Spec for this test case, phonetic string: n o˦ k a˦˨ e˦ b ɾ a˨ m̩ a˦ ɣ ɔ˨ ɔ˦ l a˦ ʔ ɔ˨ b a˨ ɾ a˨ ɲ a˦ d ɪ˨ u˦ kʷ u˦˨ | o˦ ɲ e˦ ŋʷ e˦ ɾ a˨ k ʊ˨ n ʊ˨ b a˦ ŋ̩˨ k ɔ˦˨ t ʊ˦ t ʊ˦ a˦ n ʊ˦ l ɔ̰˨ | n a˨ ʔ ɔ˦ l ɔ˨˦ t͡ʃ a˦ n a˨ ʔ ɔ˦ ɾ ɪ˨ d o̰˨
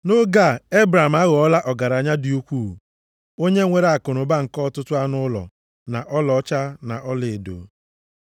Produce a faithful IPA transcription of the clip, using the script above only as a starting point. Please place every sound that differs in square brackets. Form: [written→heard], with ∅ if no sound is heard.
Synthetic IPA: n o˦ [k→ɡ] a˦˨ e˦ b ɾ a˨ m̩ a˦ ɣ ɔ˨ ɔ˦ l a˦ ʔ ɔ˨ [b→ɡ] a˨ ɾ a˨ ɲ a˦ d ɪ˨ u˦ kʷ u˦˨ | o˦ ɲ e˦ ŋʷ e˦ ɾ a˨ k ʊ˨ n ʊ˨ b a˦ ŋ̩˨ k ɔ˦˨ t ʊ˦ t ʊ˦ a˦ n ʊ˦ l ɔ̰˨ | n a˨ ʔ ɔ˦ l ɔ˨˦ t͡ʃ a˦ n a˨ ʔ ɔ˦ [ɾ→l] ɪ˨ d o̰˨